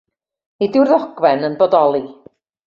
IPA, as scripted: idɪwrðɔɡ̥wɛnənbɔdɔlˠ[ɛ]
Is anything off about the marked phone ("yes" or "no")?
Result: yes